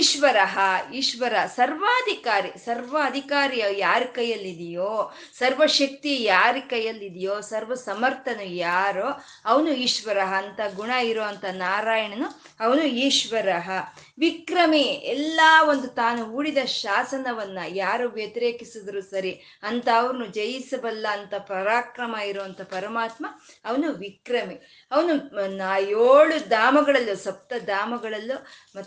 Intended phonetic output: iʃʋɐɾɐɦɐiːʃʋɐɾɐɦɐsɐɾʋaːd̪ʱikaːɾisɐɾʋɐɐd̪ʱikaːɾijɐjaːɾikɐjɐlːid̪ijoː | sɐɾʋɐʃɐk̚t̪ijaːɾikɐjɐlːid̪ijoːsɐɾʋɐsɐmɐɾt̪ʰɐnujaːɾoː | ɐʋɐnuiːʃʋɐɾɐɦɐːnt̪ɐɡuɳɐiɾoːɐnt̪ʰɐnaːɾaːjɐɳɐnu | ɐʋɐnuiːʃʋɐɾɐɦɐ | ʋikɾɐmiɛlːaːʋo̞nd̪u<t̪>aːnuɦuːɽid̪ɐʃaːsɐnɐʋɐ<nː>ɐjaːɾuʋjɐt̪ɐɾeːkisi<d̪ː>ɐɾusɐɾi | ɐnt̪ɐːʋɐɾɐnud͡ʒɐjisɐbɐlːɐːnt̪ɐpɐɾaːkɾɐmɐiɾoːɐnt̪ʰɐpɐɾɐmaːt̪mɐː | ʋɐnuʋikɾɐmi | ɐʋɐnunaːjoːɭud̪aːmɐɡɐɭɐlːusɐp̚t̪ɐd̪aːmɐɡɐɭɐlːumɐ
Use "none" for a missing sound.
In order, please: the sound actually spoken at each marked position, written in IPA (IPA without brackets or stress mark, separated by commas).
t̪, nː, d̪